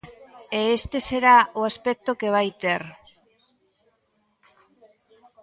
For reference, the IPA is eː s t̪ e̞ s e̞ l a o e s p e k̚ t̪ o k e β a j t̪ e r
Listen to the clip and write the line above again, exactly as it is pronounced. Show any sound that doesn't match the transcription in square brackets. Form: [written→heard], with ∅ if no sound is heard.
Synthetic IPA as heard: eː s t̪ e̞ s e̞ [l→ɾ] a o [e→a] s p e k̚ t̪ o k e β a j t̪ e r